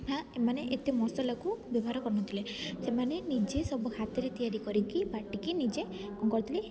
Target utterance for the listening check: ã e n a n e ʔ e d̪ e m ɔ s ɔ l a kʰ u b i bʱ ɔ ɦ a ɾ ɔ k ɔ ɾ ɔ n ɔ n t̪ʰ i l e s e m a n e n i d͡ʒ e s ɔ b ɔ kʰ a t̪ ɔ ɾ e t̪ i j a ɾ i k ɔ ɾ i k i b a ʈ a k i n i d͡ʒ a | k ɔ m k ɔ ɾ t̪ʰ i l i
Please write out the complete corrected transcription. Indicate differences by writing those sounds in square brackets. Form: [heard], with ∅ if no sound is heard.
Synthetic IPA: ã e [m] a n e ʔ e [t̪] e m ɔ s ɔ l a [k] u b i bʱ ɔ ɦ a ɾ ɔ k ɔ ɾ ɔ n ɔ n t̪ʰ i l e s e m a n e n i d͡ʒ e s ɔ b ɔ kʰ a t̪ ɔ ɾ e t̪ i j a ɾ i k ɔ ɾ i k i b a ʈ [i] k i n i d͡ʒ [e] | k ɔ [ŋ] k ɔ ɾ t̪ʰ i l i